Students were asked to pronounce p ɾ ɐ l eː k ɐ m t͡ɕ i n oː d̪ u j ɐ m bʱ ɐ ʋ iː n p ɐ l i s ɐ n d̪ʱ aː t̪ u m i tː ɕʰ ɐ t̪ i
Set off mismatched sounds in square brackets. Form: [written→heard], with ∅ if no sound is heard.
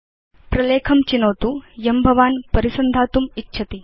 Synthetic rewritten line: p ɾ ɐ l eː [k→kʰ] ɐ m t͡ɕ i n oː [d̪→t̪] u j ɐ m bʱ ɐ ʋ [iː→aː] n p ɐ [l→ɾ] i s ɐ n d̪ʱ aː t̪ u m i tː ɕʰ ɐ t̪ i

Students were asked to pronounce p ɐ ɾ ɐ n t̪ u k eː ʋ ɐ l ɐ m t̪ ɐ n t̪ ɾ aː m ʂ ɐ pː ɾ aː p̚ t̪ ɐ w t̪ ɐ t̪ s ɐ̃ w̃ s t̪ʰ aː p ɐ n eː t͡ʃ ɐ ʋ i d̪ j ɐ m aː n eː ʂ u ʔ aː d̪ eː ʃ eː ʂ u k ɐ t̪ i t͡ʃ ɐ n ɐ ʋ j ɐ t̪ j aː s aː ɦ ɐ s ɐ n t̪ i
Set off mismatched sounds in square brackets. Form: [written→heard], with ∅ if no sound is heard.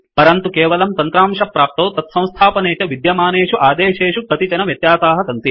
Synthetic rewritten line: p ɐ ɾ ɐ n t̪ u k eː ʋ ɐ l ɐ m t̪ ɐ n t̪ ɾ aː m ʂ ɐ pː ɾ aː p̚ t̪ ɐ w t̪ ɐ t̪ s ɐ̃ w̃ s t̪ʰ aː p ɐ n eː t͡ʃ ɐ ʋ i d̪ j ɐ m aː n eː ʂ u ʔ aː d̪ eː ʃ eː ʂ u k ɐ t̪ i t͡ʃ ɐ n ɐ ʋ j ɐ t̪ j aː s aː ɦ ɐ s ɐ n t̪ i

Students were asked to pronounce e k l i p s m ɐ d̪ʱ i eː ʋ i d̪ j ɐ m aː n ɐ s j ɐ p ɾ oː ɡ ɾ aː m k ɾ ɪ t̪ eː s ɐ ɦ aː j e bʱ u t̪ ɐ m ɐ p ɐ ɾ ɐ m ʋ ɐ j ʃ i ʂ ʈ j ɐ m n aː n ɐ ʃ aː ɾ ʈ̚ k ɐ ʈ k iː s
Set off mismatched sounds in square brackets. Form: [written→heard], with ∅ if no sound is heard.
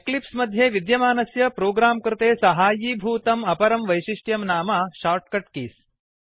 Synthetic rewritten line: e k l i p s m ɐ d̪ʱ [i→j] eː ʋ i d̪ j ɐ m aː n ɐ s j ɐ p ɾ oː ɡ ɾ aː m k ɾ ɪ t̪ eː s ɐ ɦ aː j [e→i] bʱ [u→uː] t̪ ɐ m ɐ p ɐ ɾ ɐ m ʋ ɐ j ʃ i ʂ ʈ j ɐ m n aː [n→m] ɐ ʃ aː ɾ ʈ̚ k ɐ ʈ k iː s

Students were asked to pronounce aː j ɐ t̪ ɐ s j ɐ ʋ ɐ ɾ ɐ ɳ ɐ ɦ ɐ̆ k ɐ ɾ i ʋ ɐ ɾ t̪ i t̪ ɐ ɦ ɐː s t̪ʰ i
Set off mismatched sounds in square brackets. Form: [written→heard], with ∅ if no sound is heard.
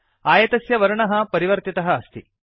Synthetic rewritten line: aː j ɐ t̪ ɐ s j ɐ ʋ ɐ ɾ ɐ ɳ ɐ ɦ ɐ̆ [k→p] ɐ ɾ i ʋ ɐ ɾ t̪ i t̪ ɐ ɦ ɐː s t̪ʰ i

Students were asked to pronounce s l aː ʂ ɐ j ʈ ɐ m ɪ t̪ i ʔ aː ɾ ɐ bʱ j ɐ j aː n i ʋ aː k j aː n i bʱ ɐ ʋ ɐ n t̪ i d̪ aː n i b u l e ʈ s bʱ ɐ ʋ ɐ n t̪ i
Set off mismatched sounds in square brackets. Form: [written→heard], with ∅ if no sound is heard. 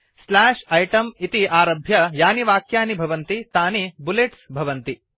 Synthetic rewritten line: s l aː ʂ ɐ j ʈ ɐ m [ɪ→i] t̪ i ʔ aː ɾ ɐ bʱ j ɐ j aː n i ʋ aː k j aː n i bʱ ɐ ʋ ɐ n t̪ i [d̪→t̪] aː n i b u l e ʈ s bʱ ɐ ʋ ɐ n t̪ i

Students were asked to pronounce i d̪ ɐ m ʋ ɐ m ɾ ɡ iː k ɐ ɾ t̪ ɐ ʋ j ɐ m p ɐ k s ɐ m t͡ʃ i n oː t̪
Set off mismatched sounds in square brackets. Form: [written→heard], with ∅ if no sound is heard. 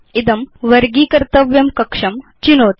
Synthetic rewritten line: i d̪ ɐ m ʋ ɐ [m→∅] ɾ ɡ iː k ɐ ɾ t̪ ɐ ʋ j ɐ m [p→k] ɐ k [s→ʂ] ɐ m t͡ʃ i n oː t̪

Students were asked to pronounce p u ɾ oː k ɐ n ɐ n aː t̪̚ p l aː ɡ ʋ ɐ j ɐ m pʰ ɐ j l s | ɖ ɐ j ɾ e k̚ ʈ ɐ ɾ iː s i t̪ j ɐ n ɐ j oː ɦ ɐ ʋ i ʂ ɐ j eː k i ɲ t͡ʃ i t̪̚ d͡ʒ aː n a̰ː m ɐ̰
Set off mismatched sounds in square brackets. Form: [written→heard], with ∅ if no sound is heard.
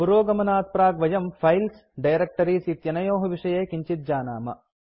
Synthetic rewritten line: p u ɾ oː [k→ɡ] ɐ [n→m] ɐ n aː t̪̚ p [l→ɾ] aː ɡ ʋ ɐ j ɐ m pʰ ɐ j l s | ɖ ɐ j ɾ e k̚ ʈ ɐ ɾ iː s i t̪ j ɐ n ɐ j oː ɦ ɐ ʋ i ʂ ɐ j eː k i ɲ t͡ʃ i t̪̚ d͡ʒ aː n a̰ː m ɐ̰

